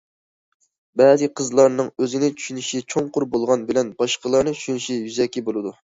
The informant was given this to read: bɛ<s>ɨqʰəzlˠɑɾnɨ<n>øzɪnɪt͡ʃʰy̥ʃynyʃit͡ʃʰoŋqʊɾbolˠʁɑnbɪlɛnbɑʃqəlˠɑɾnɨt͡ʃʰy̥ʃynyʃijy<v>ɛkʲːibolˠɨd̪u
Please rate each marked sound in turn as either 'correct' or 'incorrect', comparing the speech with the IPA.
incorrect, incorrect, incorrect

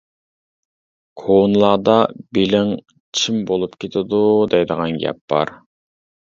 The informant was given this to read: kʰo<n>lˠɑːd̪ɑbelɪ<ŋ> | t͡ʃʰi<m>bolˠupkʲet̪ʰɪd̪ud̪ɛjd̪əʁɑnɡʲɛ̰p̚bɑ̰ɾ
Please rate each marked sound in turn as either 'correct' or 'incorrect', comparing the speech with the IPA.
correct, correct, correct

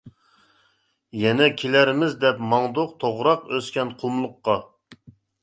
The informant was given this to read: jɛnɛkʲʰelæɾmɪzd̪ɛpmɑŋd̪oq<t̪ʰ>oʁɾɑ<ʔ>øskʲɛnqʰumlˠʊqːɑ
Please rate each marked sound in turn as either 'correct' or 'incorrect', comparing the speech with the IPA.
correct, incorrect

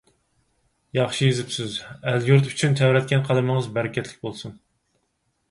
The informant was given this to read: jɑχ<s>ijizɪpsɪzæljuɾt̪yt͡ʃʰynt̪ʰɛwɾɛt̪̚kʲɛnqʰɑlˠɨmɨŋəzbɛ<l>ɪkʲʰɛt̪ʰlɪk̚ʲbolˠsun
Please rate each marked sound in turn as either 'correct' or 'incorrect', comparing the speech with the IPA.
incorrect, incorrect

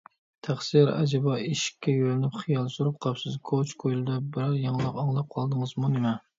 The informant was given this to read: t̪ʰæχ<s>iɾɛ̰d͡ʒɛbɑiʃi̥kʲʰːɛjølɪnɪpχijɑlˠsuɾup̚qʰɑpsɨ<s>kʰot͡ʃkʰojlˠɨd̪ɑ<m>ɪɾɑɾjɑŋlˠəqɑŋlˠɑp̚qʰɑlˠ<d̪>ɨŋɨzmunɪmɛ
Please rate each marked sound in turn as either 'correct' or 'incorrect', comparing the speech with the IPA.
correct, incorrect, incorrect, correct

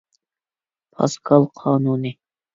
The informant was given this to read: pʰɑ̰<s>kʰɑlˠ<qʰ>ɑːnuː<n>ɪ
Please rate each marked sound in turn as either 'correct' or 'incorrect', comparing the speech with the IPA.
correct, correct, correct

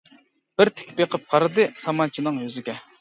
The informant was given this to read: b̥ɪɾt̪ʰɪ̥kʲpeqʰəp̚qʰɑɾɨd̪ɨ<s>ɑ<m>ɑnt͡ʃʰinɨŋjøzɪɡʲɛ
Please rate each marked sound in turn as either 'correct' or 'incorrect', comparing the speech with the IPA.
correct, correct

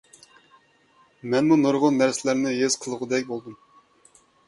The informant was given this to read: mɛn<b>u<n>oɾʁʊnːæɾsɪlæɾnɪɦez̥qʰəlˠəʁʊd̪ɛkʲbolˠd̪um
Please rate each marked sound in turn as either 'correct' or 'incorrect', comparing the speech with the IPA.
incorrect, correct

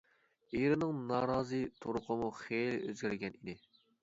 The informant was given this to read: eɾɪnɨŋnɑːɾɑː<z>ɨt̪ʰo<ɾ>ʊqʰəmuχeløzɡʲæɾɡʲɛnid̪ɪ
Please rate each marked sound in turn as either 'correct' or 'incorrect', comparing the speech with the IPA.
correct, correct

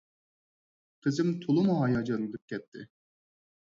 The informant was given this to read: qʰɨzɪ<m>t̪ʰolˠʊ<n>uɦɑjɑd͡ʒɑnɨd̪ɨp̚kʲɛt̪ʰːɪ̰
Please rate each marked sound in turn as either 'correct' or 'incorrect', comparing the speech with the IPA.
correct, incorrect

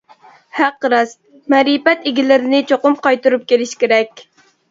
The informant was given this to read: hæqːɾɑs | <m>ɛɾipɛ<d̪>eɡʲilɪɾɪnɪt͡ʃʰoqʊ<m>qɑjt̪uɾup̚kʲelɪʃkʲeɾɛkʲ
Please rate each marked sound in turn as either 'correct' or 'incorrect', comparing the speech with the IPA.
correct, incorrect, correct

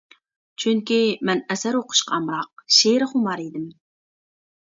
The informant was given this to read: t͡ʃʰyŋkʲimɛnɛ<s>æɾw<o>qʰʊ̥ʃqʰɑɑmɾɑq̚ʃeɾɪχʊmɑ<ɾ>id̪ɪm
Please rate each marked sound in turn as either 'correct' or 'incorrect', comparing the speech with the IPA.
correct, correct, correct

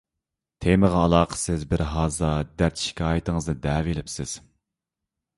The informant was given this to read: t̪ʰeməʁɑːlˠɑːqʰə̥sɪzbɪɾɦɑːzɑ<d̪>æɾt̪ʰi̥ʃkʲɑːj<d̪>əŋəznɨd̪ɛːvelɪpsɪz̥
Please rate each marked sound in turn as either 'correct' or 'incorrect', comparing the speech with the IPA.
correct, incorrect

